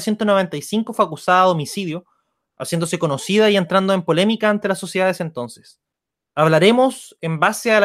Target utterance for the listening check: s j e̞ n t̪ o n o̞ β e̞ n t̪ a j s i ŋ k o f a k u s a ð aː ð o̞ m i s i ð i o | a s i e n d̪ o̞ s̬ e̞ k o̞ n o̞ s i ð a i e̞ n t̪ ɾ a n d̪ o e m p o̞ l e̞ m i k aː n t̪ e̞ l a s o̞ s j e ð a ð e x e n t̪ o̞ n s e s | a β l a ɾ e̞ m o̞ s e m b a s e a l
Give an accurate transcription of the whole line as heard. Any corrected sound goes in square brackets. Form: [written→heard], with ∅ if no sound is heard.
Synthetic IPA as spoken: s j e̞ n t̪ o n o̞ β e̞ n t̪ a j s i ŋ k o f a k u s a ð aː ð o̞ m i s i ð [i→j] o | a s [i→j] e n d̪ o̞ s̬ e̞ k o̞ n o̞ s i ð a i e̞ n t̪ ɾ a n d̪ o e m p o̞ l e̞ m i k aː n t̪ e̞ l a s o̞ s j e ð a ð e [x→s] e n t̪ o̞ n s e s | a β l a ɾ e̞ m o̞ s e m b a s e a l